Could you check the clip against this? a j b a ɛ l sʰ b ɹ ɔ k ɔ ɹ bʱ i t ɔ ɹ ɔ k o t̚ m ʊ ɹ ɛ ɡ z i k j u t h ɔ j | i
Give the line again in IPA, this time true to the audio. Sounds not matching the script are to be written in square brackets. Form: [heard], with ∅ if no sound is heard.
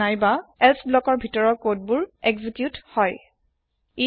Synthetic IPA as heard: a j b a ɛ l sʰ b [l] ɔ k ɔ ɹ bʱ i t ɔ ɹ ɔ k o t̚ [b] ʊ ɹ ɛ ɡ z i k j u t h ɔ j | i